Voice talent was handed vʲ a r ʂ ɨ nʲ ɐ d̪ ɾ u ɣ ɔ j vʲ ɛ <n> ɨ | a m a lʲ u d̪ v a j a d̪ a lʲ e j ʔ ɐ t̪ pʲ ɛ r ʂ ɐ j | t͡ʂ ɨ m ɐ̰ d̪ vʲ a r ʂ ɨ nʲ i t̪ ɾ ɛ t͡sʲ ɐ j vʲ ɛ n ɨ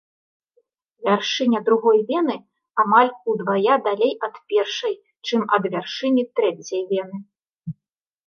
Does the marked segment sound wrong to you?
no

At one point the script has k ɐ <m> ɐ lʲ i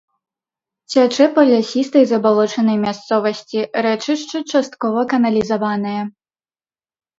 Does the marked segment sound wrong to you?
yes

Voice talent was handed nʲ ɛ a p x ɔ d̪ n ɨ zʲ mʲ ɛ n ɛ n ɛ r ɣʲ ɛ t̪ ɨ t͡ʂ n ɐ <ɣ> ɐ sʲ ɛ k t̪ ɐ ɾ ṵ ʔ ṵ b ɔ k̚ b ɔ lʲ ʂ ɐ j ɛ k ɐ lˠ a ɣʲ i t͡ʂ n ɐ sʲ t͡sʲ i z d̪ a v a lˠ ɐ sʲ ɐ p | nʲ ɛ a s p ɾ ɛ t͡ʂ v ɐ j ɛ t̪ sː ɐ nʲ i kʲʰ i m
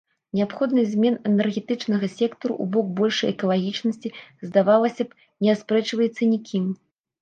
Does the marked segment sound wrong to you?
no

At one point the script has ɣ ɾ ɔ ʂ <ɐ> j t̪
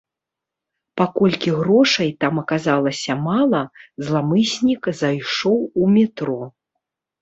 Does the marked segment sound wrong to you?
no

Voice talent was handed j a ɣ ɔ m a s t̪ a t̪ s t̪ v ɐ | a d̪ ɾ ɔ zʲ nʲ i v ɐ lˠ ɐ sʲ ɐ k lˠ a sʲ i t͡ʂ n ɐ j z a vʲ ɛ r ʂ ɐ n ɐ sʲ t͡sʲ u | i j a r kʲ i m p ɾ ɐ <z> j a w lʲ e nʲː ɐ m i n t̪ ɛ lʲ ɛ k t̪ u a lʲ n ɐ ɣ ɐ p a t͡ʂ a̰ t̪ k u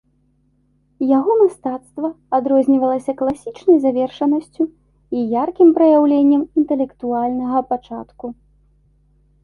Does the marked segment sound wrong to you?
yes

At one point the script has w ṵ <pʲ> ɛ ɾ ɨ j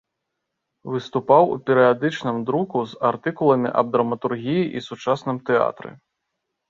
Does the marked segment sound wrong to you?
no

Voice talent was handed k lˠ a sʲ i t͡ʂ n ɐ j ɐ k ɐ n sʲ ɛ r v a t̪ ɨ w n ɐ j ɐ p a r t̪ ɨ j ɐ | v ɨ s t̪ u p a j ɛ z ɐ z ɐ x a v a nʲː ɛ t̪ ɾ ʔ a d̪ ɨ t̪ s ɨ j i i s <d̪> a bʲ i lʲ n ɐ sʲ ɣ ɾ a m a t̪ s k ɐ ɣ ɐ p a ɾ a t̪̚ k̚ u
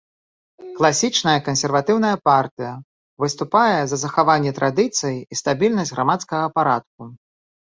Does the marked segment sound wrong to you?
yes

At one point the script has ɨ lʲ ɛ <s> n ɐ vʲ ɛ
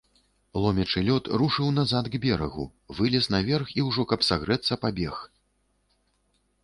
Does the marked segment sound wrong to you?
no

